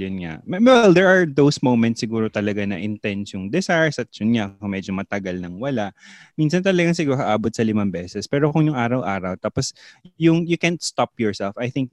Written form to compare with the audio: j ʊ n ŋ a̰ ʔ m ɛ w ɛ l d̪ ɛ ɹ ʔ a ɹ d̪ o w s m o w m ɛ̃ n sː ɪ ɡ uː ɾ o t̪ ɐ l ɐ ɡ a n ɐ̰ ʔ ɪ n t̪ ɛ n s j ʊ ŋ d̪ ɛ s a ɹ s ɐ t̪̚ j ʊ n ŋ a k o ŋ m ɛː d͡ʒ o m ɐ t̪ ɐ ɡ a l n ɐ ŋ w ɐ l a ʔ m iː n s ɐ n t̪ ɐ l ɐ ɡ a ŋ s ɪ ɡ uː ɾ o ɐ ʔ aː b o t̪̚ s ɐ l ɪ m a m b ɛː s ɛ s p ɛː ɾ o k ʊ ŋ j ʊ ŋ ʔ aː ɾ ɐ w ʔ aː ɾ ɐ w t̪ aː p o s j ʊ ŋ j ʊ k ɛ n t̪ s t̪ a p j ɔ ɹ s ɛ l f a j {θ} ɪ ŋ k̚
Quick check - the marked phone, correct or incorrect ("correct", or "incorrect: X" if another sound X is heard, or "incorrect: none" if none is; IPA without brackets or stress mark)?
correct